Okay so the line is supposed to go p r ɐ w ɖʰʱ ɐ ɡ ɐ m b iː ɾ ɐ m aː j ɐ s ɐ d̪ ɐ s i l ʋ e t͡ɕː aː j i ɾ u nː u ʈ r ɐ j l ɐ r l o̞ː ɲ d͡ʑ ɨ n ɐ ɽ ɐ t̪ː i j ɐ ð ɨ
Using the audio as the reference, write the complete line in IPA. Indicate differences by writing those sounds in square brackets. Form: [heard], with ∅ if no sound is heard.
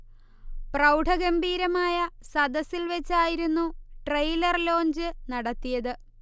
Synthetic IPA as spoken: p r ɐ w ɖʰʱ ɐ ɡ ɐ m b iː ɾ ɐ m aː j ɐ s ɐ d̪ ɐ s i l ʋ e t͡ɕː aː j i ɾ u nː u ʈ r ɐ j l ɐ r l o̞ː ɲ d͡ʑ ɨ n ɐ ɽ ɐ t̪ː i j ɐ ð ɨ